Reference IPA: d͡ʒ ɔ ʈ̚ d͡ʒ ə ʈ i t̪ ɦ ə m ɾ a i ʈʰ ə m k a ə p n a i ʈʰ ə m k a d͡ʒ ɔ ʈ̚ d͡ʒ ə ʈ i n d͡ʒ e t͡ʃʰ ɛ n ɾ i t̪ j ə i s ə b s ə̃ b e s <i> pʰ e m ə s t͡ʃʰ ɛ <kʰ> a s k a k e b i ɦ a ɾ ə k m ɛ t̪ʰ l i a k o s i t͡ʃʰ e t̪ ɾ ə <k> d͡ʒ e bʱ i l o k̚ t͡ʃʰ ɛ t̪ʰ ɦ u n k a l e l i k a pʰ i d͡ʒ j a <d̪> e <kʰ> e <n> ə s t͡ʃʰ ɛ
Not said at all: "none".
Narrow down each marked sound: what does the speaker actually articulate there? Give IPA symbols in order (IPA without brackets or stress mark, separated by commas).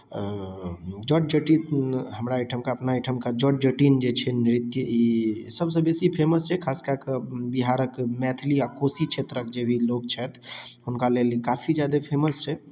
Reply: i, kʰ, k, d̪, pʰ, m